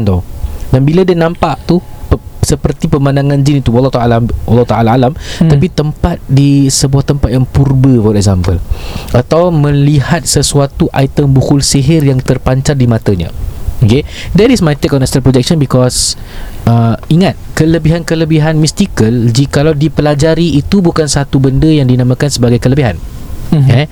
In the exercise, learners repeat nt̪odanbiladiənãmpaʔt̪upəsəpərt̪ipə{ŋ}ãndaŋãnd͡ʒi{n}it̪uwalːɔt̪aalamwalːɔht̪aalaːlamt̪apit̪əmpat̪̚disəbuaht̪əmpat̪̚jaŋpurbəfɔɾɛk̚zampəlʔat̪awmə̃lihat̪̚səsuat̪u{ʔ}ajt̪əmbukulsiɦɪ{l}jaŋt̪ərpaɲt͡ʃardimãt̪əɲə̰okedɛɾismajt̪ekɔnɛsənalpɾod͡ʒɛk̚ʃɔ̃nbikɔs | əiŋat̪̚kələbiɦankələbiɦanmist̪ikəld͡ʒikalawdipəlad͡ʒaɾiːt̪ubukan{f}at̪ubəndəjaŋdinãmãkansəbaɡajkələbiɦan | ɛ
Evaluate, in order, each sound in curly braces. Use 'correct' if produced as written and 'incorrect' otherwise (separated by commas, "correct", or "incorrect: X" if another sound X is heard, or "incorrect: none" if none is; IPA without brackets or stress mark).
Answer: incorrect: m, correct, correct, incorrect: r, incorrect: s